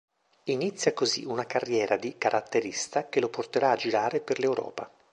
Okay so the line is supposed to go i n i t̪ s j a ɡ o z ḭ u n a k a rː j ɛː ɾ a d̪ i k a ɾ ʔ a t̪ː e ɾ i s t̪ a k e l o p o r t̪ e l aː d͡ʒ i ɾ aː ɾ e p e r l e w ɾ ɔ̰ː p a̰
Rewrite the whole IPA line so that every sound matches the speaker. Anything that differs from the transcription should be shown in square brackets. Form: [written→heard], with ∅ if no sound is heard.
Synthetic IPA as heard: i n i t̪ [s→sː] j a [ɡ→k] o z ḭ u n a k a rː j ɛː ɾ a d̪ i k a ɾ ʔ a t̪ː e ɾ i s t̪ a k e l o p o r t̪ e [l→ɾ] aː d͡ʒ i ɾ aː ɾ e p e r l e w ɾ ɔ̰ː p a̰